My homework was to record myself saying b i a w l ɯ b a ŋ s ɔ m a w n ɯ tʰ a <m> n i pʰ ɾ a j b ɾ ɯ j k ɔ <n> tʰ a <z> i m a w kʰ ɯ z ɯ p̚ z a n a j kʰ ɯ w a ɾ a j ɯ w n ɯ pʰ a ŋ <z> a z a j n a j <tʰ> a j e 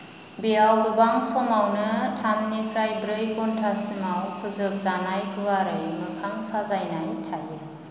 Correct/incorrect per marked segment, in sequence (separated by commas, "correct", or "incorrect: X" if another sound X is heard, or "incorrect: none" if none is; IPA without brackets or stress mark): correct, correct, incorrect: s, incorrect: s, correct